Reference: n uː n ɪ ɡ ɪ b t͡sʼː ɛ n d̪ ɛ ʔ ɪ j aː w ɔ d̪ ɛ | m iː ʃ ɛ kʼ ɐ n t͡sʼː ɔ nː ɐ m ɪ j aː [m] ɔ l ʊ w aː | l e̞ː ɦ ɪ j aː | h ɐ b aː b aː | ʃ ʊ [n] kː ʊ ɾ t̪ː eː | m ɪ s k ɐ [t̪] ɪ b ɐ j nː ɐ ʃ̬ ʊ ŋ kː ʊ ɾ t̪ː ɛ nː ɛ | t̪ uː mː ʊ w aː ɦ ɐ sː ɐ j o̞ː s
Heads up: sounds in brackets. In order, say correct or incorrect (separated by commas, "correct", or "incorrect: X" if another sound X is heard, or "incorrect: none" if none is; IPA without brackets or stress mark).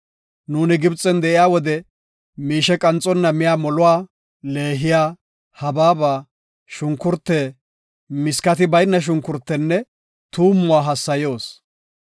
correct, incorrect: ŋ, correct